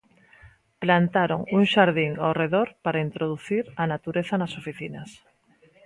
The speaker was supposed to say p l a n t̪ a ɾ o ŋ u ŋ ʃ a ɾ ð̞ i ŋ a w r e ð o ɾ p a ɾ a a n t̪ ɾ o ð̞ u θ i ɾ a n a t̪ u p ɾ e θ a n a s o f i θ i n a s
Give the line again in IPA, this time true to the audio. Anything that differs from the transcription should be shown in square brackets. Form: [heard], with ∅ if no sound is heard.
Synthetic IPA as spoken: p l a n t̪ a ɾ o ŋ u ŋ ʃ a ɾ ð̞ i ŋ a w r e ð o ɾ p a ɾ a [i] n t̪ ɾ o ð̞ u θ i ɾ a n a t̪ u [∅] ɾ e θ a n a s o f i θ i n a s